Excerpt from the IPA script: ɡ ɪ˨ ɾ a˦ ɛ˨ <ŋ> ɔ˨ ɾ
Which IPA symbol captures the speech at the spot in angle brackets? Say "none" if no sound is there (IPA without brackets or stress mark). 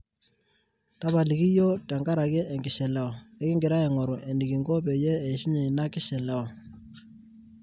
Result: ŋ